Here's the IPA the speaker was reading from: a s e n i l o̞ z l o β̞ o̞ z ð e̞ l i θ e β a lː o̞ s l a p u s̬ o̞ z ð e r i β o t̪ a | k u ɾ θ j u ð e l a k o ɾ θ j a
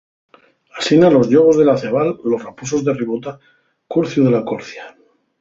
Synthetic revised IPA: a s i n a l o̞ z ʎ o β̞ o̞ z ð e̞ l a θ e β a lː o̞ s r a p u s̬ o̞ z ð e r i β o t̪ a | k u ɾ θ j u ð e l a k o ɾ θ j a